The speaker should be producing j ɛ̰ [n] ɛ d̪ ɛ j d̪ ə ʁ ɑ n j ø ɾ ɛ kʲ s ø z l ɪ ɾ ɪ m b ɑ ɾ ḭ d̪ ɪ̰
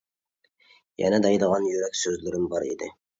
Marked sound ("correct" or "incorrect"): correct